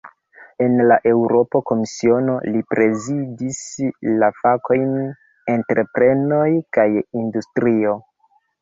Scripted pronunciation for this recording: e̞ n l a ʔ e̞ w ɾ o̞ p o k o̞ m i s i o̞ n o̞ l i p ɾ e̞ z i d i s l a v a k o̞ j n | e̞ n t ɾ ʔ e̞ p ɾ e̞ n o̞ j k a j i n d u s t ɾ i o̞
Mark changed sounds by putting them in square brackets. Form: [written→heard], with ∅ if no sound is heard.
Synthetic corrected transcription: e̞ n l a ʔ e̞ w ɾ o̞ p o k o̞ m i s i o̞ n o̞ l i p ɾ e̞ z i d i s l a [v→f] a k o̞ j n | e̞ n t ɾ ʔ e̞ p ɾ e̞ n o̞ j k a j i n d u s t ɾ i o̞

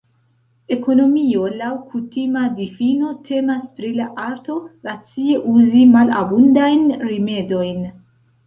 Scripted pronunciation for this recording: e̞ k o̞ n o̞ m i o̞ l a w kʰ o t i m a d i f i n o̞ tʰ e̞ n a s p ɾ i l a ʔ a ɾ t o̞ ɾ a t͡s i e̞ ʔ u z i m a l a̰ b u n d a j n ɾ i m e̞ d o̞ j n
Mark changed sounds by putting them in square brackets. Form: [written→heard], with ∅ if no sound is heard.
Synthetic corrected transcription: e̞ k o̞ n o̞ m i o̞ l a w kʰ [o→u] t i m a d i f i n o̞ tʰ e̞ [n→m] a s p ɾ i l a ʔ a ɾ t o̞ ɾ a t͡s i e̞ ʔ u z i m a l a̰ b u n d a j n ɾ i m e̞ d o̞ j n

